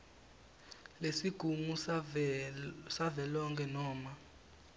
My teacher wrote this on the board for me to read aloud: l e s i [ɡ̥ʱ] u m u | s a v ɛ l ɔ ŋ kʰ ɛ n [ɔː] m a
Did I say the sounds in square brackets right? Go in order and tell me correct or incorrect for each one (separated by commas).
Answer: correct, correct